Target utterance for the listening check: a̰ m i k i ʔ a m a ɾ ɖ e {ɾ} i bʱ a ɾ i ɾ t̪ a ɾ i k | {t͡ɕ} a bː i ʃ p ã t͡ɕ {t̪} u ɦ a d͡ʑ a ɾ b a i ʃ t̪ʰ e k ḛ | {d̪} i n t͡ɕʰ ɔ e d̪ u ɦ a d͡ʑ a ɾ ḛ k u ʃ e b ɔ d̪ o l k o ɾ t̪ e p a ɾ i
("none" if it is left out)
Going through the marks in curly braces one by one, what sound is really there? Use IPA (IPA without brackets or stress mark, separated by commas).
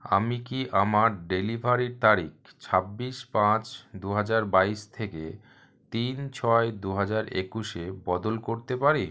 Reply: l, t͡ɕʰ, d̪, t̪